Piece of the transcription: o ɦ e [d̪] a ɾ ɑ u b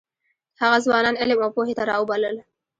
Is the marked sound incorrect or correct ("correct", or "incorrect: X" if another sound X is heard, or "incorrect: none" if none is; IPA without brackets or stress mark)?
incorrect: t̪